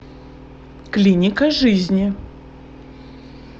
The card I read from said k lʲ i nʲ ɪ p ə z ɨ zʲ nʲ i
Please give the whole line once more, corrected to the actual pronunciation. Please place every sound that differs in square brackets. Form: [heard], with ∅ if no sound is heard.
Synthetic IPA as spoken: k lʲ i nʲ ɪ [k] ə [ʐ] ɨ zʲ nʲ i